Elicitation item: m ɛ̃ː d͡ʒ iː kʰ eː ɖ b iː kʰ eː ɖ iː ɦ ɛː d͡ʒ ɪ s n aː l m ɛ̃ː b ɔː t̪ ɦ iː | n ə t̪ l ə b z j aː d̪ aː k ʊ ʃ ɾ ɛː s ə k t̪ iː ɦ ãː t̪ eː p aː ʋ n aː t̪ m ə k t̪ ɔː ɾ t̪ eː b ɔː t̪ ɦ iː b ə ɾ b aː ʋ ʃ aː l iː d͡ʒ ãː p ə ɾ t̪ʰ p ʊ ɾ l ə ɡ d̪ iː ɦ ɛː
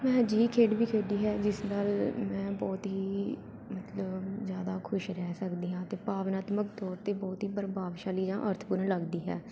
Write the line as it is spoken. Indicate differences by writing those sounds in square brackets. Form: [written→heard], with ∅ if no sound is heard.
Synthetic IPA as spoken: m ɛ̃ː d͡ʒ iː kʰ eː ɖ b iː kʰ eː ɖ iː ɦ ɛː d͡ʒ ɪ s n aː l m ɛ̃ː b ɔː t̪ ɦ iː | [n→m] ə t̪ l ə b z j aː d̪ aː [k→kʰ] ʊ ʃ ɾ ɛː s ə k [t̪→d̪] iː ɦ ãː t̪ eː p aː ʋ n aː t̪ m ə k t̪ ɔː ɾ t̪ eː b ɔː t̪ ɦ iː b ə ɾ b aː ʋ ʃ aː l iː d͡ʒ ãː [p→ʔ] ə ɾ t̪ʰ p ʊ ɾ l ə ɡ d̪ iː ɦ ɛː